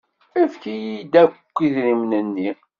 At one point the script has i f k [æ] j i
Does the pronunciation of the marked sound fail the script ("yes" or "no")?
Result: yes